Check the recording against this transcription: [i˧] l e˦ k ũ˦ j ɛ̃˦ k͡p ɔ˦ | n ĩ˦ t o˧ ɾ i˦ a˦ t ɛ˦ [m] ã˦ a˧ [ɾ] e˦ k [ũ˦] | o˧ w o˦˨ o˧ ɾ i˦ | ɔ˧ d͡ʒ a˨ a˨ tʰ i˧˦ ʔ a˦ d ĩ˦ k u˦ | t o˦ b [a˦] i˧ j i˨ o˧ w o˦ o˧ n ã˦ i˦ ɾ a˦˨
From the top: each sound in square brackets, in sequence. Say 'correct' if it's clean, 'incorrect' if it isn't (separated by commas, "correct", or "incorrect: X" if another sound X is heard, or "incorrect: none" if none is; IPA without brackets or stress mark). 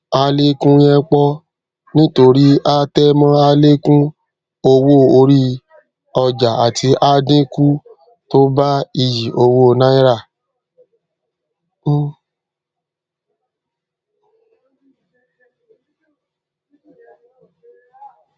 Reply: incorrect: a˧, correct, incorrect: l, correct, correct